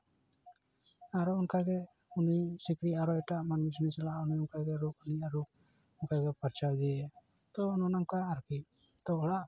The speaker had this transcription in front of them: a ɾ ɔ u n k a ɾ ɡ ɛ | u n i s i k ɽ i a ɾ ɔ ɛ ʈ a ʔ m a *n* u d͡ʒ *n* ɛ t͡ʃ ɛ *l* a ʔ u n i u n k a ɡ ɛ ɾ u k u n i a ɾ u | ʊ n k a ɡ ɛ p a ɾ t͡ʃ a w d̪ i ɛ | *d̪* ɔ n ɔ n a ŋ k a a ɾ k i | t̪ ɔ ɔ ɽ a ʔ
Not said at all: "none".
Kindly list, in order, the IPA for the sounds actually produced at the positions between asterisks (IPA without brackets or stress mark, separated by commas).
n, n, l, t̪